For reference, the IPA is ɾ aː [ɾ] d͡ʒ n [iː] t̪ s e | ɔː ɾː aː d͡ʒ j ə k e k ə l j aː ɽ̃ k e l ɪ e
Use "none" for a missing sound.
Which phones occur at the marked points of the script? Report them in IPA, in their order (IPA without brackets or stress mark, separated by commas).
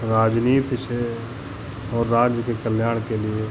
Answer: none, iː